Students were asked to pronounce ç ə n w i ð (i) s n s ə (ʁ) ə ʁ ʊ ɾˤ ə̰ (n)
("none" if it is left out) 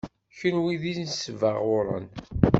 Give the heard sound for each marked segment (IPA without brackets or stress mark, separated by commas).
i, v, n